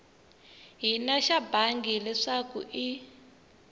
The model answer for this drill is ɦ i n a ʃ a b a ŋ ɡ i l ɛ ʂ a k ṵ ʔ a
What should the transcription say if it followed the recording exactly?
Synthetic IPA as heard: ɦ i n a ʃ a b a ŋ ɡ i l ɛ ʂ a k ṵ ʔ i